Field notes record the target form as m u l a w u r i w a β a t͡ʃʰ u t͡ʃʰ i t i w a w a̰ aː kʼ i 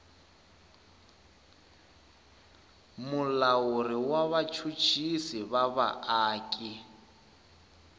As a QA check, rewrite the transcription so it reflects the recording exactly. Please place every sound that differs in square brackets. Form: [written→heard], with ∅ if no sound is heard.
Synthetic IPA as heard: m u l a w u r i w a β a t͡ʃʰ u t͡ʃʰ i [t→s] i [w→β] a [w→β] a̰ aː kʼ i